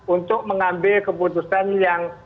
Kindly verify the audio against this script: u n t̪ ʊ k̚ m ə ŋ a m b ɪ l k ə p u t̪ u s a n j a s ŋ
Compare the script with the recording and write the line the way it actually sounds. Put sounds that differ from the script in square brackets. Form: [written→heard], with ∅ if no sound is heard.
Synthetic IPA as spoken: u n t̪ ʊ k̚ m ə ŋ a m b ɪ l k ə p u t̪ u s a n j a [s→∅] ŋ